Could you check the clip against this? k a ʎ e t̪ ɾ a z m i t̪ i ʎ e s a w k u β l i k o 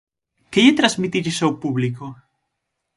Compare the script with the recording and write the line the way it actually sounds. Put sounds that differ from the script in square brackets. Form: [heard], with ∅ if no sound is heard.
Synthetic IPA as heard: k [e] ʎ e t̪ ɾ a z m i t̪ i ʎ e s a w [p] u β l i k o